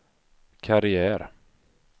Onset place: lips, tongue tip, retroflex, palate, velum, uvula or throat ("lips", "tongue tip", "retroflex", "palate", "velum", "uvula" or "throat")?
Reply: velum